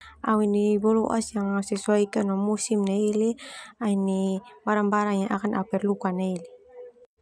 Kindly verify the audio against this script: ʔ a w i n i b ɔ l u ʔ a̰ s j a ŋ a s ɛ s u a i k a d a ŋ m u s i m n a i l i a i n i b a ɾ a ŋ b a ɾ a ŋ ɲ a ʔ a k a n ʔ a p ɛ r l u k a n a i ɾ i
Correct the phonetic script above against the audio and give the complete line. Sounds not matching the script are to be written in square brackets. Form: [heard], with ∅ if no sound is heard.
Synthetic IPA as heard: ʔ a w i n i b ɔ l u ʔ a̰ s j a ŋ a s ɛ s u a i k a [n] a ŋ m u s i m n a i l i a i n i b a ɾ a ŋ b a ɾ a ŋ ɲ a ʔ a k a n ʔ a p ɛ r l u k a n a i [l] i